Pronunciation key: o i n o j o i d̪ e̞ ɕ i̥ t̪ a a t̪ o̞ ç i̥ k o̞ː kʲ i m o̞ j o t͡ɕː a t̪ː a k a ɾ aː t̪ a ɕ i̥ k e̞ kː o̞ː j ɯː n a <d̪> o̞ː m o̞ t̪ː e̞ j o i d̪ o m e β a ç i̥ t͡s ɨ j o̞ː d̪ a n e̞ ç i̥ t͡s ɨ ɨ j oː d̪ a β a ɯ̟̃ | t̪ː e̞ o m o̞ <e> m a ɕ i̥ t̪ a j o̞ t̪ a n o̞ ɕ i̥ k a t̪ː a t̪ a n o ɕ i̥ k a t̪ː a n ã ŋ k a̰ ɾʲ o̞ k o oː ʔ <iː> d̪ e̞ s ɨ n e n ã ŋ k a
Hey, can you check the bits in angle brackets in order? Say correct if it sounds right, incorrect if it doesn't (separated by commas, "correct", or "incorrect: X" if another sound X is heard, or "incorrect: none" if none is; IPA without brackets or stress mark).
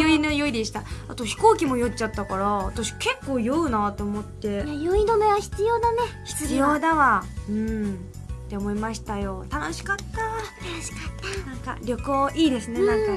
incorrect: t̪, incorrect: i, correct